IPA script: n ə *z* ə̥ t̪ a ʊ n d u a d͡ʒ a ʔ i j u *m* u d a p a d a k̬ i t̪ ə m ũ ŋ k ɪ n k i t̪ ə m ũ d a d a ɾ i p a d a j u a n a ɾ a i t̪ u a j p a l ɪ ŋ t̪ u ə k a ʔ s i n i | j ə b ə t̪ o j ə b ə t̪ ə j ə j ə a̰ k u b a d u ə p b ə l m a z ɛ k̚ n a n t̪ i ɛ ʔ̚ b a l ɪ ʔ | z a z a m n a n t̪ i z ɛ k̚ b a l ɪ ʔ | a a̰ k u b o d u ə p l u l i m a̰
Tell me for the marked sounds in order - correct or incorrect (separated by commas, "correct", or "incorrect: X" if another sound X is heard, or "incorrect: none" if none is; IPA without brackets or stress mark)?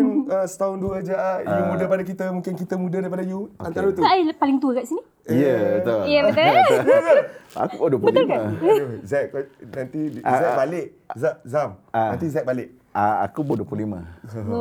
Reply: incorrect: s, correct